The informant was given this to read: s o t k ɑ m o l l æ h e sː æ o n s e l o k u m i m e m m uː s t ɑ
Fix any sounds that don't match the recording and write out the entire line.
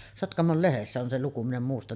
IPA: s o t k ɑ m o l l e h e sː æ o n s e l u k u m i n e m m uː s t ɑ